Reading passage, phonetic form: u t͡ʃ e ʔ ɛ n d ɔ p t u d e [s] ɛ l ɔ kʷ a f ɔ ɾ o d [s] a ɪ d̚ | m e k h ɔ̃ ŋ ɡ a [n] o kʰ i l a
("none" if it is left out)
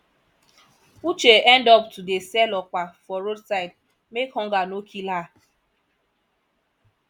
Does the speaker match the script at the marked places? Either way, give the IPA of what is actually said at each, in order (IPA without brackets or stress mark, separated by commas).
s, s, n